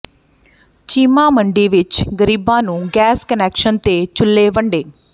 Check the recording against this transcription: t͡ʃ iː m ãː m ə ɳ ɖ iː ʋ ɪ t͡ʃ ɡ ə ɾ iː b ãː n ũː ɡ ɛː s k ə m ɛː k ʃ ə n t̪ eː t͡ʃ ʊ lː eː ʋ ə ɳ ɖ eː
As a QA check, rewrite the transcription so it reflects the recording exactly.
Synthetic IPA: t͡ʃ iː m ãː m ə ɳ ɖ iː ʋ ɪ t͡ʃ ɡ ə ɾ iː b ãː n ũː ɡ ɛː s k ə n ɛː k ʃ ə n t̪ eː t͡ʃ ʊ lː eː ʋ ə ɳ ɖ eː